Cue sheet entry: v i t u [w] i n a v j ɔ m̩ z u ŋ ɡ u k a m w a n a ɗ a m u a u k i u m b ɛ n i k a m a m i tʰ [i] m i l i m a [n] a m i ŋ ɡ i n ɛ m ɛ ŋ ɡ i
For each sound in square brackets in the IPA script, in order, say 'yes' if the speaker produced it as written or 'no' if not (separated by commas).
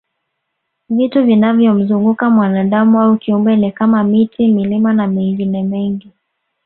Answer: no, yes, yes